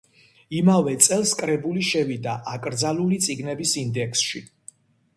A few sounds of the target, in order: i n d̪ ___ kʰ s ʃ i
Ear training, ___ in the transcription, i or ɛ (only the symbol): ɛ